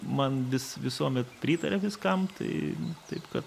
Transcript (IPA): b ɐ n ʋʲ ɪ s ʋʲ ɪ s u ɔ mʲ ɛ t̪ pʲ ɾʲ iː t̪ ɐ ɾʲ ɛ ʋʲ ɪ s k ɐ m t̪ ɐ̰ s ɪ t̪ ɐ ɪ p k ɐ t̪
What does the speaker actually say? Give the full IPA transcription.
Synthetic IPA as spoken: m ɐ n ʋʲ ɪ s ʋʲ ɪ s u ɔ mʲ ɛ t̪ pʲ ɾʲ iː t̪ ɐ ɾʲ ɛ ʋʲ ɪ s k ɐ m t̪ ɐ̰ ɪ t̪ ɐ ɪ p k ɐ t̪